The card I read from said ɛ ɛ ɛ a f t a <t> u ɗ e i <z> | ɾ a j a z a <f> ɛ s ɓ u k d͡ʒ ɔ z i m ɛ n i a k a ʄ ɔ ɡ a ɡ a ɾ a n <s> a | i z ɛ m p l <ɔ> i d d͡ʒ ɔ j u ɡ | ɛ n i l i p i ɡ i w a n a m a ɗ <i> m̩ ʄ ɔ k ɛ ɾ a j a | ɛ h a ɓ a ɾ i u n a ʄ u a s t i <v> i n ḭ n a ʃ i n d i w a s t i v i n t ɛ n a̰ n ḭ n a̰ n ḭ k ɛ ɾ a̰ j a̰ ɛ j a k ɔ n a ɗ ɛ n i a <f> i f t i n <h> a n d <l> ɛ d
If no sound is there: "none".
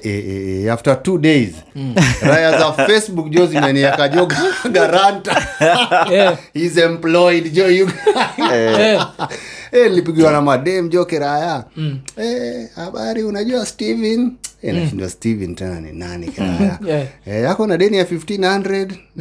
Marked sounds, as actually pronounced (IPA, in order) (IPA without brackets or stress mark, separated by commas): t, z, f, t, ɔ, ɛ, v, f, h, ɾ